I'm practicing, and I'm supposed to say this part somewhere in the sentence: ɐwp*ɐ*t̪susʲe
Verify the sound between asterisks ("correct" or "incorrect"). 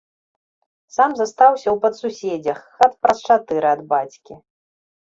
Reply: correct